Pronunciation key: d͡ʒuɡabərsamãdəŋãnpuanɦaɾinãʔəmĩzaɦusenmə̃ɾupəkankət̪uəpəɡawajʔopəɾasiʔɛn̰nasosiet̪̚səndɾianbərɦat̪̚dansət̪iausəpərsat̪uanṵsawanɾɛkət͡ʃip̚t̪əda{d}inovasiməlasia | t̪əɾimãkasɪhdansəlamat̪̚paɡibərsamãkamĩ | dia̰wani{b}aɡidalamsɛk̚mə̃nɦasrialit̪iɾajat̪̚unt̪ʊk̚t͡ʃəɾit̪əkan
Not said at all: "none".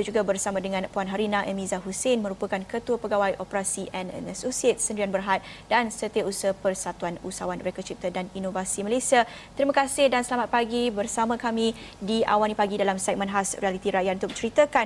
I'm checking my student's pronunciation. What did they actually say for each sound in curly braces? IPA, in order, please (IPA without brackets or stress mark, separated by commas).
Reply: n, p